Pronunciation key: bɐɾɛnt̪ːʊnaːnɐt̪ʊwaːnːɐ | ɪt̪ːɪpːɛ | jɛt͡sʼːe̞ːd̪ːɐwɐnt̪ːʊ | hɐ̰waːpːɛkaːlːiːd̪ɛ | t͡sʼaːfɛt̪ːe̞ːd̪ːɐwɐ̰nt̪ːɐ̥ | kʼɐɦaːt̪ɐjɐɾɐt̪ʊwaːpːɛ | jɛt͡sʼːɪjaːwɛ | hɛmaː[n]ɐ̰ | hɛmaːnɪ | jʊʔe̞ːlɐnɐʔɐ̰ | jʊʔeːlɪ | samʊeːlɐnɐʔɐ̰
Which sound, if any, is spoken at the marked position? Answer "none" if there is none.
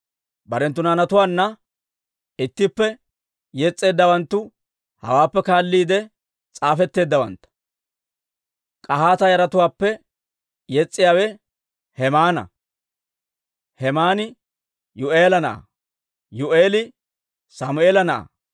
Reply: n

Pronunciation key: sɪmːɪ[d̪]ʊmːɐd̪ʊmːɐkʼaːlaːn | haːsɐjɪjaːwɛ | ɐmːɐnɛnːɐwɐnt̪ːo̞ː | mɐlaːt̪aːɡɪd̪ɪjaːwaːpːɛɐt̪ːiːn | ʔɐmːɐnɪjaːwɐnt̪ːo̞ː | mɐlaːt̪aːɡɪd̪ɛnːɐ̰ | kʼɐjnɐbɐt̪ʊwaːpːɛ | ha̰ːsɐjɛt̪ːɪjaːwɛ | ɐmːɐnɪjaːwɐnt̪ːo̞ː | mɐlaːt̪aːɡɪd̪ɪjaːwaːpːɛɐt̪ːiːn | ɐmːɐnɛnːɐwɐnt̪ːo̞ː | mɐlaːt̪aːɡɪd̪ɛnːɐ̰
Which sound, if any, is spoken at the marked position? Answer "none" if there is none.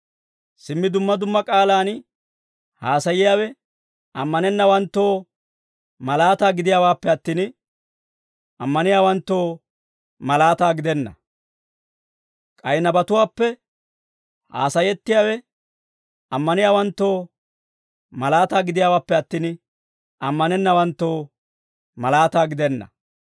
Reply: d̪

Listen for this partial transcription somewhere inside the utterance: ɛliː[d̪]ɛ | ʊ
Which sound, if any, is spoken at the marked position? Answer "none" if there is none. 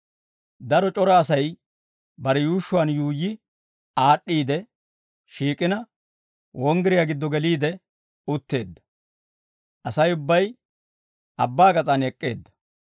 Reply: d̪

